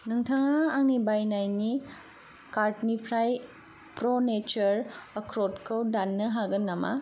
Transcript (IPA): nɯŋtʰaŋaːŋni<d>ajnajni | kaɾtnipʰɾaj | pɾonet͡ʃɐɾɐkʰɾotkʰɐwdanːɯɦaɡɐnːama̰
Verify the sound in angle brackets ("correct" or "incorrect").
incorrect